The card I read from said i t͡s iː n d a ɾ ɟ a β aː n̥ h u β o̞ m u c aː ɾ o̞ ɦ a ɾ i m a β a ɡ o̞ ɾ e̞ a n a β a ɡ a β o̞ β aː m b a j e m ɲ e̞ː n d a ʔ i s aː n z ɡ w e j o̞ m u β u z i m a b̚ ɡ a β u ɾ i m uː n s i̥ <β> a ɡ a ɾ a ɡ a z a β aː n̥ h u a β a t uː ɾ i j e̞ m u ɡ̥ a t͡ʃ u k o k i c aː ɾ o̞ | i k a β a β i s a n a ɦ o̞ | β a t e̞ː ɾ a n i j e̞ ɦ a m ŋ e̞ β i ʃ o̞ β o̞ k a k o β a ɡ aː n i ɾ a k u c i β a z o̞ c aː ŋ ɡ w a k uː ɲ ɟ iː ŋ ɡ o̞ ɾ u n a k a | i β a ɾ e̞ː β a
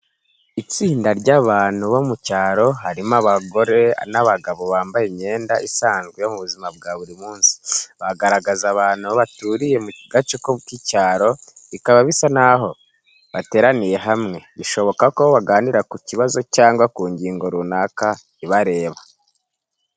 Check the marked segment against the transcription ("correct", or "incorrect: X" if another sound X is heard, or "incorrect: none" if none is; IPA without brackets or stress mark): correct